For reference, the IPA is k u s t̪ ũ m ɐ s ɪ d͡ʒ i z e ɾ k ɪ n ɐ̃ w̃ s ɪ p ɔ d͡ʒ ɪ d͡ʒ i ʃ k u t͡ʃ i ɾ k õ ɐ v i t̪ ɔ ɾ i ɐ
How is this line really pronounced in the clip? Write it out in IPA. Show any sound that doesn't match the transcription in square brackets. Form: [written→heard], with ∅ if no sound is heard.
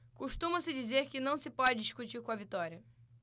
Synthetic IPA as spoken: k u [s→ʃ] t̪ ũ m ɐ s ɪ d͡ʒ i z e ɾ k ɪ n ɐ̃ w̃ s ɪ p ɔ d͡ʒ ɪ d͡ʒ i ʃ k u t͡ʃ i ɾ k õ ɐ v i t̪ ɔ ɾ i ɐ

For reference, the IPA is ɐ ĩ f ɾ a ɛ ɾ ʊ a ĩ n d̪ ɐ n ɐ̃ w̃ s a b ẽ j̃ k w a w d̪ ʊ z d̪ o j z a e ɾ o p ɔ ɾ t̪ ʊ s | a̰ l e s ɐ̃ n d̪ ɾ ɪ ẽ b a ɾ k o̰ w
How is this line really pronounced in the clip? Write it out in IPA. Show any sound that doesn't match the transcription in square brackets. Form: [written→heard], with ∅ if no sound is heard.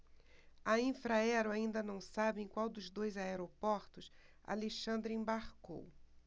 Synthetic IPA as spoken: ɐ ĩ f ɾ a ɛ ɾ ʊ a ĩ n d̪ ɐ n ɐ̃ w̃ s a b ẽ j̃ k w a w d̪ ʊ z d̪ o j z a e ɾ o p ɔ ɾ t̪ ʊ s | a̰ l e [s→ʃ] ɐ̃ n d̪ ɾ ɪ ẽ b a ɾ k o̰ w

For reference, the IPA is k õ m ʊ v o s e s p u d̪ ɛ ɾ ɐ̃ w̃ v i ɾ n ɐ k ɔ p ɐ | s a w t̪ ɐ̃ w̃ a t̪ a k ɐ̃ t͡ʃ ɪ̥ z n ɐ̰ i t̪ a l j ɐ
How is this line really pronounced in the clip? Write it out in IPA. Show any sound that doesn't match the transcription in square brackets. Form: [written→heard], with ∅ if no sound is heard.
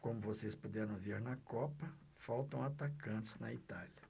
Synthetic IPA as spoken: k õ m ʊ v o s e s p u d̪ ɛ ɾ ɐ̃ w̃ v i ɾ n ɐ k ɔ p ɐ | [s→f] a w t̪ ɐ̃ w̃ a t̪ a k ɐ̃ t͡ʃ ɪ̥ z n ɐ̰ i t̪ a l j ɐ

